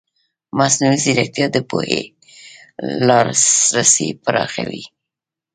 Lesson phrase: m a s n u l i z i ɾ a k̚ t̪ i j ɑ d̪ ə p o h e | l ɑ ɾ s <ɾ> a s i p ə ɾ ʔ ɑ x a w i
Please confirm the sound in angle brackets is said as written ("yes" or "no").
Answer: yes